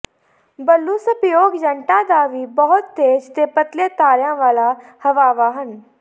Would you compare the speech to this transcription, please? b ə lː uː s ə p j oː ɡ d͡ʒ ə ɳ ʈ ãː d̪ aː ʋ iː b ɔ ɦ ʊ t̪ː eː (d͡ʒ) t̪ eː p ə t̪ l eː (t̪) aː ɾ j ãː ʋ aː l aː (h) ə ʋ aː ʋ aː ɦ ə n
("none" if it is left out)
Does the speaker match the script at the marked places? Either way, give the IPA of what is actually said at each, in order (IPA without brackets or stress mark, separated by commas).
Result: d͡ʒ, t̪, h